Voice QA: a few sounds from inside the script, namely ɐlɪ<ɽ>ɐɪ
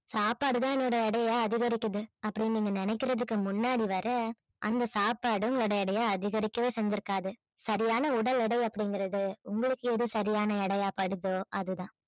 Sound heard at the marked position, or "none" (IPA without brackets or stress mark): ɽ